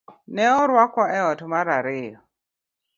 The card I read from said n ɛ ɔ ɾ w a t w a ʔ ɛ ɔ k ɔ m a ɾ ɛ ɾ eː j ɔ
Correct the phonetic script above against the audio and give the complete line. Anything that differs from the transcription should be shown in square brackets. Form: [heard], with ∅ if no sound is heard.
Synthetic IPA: n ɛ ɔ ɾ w a [k] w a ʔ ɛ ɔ [t] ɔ m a ɾ [a] ɾ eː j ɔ